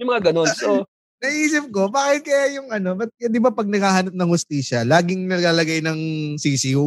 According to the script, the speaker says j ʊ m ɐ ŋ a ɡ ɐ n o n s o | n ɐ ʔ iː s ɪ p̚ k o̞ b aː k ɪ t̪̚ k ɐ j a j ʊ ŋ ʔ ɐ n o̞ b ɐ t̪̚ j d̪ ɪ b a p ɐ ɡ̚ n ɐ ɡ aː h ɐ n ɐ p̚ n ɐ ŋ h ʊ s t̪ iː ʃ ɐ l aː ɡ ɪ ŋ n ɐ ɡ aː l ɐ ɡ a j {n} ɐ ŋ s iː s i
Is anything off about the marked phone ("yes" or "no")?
no